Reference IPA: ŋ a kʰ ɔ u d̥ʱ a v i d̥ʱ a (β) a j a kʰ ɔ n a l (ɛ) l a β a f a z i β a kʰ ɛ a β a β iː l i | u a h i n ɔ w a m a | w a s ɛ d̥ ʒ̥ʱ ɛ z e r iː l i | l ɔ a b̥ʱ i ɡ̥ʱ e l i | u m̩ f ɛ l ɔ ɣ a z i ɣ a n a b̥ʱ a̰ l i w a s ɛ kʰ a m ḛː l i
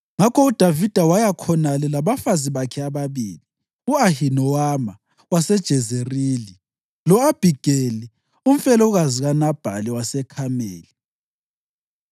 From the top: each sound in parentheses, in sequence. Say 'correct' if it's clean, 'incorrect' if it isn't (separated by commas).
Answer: incorrect, correct